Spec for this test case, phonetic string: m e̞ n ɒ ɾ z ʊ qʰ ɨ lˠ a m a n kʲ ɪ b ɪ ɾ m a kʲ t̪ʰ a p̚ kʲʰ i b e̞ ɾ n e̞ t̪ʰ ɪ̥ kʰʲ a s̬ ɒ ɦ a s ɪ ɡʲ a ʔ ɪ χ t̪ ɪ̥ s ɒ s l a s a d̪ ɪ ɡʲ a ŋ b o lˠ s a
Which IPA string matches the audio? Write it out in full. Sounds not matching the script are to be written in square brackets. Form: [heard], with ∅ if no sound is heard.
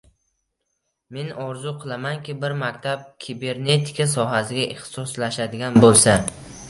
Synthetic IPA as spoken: m e̞ n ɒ ɾ z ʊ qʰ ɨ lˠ a m a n kʲ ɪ b ɪ ɾ m a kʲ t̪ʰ a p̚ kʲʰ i b e̞ ɾ n e̞ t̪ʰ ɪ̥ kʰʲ a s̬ ɒ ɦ a s ɪ ɡʲ a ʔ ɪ χ t̪ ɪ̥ s ɒ s l a [ʃ] a d̪ ɪ ɡʲ a [n] b o lˠ s a